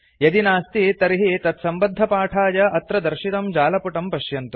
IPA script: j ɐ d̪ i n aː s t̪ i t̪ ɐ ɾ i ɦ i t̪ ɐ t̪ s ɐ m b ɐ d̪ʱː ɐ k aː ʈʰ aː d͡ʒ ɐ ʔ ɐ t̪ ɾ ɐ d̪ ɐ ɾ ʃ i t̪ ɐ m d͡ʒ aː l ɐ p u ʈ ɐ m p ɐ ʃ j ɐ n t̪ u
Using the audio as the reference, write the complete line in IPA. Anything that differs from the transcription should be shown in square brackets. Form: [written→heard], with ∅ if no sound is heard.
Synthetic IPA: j ɐ d̪ i n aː s t̪ i t̪ ɐ ɾ i ɦ i t̪ ɐ t̪ s ɐ m b ɐ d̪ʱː ɐ [k→p] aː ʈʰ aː d͡ʒ ɐ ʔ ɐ t̪ ɾ ɐ d̪ ɐ ɾ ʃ i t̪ ɐ m d͡ʒ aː l ɐ p u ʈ ɐ m p ɐ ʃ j ɐ n t̪ u